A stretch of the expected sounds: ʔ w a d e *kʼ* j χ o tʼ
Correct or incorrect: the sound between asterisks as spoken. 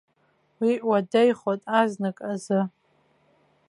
incorrect: none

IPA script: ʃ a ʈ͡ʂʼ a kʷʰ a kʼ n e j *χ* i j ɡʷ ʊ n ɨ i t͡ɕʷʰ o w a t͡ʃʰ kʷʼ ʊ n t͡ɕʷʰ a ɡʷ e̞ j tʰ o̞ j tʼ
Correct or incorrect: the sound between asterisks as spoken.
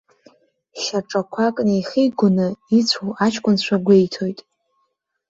correct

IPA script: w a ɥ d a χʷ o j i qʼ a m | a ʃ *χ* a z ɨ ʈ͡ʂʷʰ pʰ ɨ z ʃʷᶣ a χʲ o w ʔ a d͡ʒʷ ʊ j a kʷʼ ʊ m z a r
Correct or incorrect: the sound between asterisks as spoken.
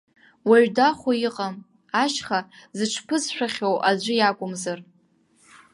correct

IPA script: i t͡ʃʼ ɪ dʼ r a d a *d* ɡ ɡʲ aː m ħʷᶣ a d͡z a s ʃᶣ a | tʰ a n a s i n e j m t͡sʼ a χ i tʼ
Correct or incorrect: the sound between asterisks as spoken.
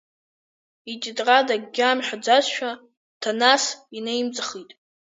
incorrect: none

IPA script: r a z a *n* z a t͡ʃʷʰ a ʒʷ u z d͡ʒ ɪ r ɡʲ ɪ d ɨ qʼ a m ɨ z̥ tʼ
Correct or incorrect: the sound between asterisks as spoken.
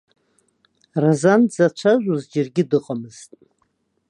correct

